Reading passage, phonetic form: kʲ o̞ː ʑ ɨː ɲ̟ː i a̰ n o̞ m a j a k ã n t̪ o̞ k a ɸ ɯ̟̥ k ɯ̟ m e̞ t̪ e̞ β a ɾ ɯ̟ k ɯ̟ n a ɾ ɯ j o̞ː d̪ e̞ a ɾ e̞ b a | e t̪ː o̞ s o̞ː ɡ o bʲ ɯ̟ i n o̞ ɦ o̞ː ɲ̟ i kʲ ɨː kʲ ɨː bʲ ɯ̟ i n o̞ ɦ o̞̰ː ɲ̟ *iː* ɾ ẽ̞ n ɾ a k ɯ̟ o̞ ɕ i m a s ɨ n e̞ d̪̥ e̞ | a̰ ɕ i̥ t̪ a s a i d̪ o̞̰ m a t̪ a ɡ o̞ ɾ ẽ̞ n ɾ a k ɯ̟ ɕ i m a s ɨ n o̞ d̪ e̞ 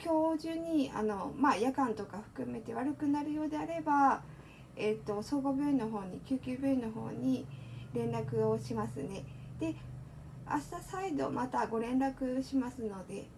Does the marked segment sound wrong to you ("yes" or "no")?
yes